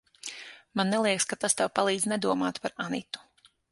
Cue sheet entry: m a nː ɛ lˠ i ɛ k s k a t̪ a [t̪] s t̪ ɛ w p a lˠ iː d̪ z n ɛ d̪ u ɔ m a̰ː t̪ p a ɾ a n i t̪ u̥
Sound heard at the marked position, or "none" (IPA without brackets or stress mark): none